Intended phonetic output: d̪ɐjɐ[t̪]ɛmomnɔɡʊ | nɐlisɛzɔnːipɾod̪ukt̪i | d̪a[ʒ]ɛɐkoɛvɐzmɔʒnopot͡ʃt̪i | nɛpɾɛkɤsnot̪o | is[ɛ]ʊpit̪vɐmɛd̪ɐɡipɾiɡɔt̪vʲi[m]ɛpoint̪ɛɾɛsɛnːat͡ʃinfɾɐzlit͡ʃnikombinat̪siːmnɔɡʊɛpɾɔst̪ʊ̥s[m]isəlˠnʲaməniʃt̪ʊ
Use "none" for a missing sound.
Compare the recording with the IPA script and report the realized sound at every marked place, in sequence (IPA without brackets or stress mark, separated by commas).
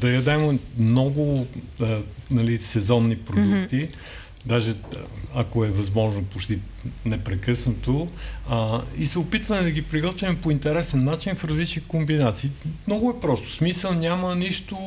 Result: d̪, ʒ, ɛ, m, m